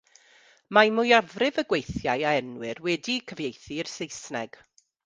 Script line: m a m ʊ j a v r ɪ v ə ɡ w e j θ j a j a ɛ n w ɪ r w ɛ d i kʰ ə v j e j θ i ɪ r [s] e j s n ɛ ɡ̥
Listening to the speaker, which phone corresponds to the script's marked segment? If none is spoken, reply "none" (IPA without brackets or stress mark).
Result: s